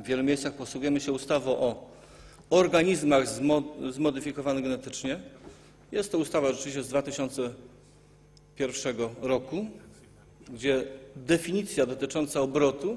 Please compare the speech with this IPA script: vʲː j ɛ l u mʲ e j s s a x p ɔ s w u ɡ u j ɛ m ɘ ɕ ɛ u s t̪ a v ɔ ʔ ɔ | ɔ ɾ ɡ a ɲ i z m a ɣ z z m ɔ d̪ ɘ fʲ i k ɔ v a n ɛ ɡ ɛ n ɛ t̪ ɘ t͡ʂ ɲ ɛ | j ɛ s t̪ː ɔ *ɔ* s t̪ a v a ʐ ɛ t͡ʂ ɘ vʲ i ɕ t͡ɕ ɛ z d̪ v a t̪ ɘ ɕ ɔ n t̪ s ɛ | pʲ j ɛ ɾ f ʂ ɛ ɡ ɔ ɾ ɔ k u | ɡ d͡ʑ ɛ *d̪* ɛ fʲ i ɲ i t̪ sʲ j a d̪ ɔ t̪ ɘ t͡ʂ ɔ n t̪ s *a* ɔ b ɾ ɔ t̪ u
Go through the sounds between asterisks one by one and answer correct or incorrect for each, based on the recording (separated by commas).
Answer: incorrect, correct, correct